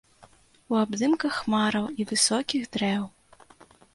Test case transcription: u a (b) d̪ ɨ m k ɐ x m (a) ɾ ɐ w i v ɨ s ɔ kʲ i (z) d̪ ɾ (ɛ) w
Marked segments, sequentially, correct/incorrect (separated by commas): correct, correct, incorrect, correct